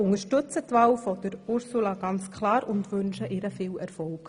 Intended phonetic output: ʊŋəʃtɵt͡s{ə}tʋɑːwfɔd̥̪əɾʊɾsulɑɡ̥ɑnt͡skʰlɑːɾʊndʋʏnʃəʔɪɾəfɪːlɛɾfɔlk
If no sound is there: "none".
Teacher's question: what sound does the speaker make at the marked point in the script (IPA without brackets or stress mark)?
ə